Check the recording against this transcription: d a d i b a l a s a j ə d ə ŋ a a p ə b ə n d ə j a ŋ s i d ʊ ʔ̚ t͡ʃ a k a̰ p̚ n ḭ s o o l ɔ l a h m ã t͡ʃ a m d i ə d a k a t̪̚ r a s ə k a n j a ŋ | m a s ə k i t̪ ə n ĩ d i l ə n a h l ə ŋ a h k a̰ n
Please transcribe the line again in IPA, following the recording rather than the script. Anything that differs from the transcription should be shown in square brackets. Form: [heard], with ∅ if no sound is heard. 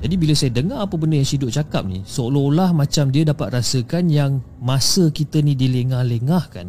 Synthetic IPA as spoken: [d͡ʒ] a d i b [i] l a s a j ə d ə ŋ a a p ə b ə n d ə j a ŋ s i d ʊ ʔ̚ t͡ʃ a k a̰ p̚ n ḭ s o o l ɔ l a h m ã t͡ʃ a m d i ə d a [p] a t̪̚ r a s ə k a n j a ŋ | m a s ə k i t̪ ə n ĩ d i l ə [ŋ] a h l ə ŋ a h k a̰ n